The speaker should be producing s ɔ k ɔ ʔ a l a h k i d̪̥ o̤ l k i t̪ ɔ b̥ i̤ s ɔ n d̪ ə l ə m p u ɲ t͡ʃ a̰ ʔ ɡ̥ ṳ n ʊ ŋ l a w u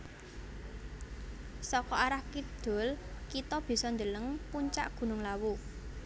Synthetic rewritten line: s ɔ k ɔ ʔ a ɾ a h k i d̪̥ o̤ l k i t̪ ɔ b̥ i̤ s ɔ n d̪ ə l ə ŋ p u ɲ t͡ʃ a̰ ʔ ɡ̥ ṳ n ʊ ŋ l a w u